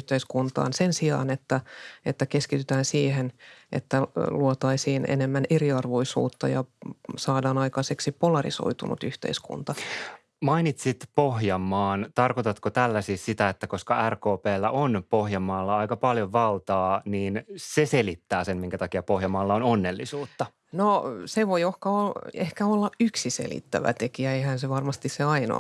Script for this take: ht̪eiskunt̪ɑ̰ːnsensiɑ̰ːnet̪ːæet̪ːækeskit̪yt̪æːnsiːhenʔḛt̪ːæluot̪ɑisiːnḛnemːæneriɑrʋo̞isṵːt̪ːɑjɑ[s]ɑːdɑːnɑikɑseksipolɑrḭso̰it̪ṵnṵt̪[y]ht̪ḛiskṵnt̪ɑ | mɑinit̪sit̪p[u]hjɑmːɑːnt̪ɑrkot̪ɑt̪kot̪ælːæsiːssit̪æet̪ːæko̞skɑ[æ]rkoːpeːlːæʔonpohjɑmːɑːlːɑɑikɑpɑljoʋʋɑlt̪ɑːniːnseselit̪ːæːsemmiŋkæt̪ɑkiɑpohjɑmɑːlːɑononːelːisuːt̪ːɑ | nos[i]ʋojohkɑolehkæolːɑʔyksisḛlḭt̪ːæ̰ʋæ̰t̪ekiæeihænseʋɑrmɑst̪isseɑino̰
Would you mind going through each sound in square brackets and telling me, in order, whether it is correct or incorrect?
correct, correct, incorrect, correct, incorrect

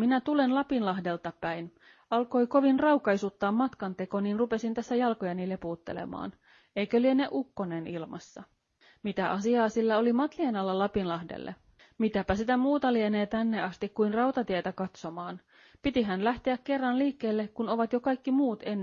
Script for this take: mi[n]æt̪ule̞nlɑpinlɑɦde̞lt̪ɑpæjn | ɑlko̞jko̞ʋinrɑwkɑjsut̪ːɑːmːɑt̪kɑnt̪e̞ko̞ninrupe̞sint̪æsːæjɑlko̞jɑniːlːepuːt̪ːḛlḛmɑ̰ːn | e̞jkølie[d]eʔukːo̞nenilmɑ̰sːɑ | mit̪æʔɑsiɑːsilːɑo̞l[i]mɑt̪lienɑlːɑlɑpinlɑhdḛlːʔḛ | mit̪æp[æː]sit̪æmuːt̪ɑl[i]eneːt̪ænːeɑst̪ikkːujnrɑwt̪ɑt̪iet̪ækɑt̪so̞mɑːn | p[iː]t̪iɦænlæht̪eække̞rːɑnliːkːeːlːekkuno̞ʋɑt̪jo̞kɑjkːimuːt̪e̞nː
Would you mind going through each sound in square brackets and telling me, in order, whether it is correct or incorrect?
correct, incorrect, correct, incorrect, correct, incorrect

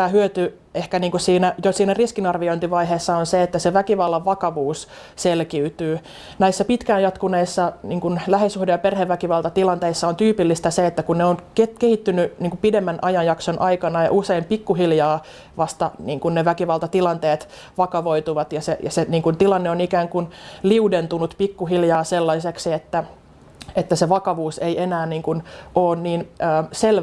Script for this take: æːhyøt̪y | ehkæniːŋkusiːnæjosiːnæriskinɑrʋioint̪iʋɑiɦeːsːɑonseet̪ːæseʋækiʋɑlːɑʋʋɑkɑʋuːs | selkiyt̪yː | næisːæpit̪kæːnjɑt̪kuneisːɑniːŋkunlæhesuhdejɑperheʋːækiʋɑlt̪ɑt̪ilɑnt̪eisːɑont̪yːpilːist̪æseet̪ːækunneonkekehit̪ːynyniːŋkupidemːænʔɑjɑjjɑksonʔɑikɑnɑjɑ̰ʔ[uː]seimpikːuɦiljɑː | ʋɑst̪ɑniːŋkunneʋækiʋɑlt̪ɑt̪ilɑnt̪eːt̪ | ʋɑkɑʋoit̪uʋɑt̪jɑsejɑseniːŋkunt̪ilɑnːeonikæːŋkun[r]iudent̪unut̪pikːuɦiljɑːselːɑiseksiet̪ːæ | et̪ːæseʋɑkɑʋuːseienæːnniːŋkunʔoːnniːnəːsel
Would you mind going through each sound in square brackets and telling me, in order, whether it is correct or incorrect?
incorrect, incorrect

